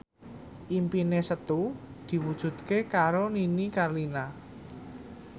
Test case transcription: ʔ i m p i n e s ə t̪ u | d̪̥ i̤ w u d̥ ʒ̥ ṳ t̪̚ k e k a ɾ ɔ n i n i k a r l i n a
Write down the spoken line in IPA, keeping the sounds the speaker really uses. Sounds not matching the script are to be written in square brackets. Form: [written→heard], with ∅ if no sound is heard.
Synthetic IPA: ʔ i m p i n e s ə t̪ u | d̪̥ i̤ w u d̥ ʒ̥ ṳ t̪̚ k e k a ɾ [ɔ→o] n i n i k a r l i n a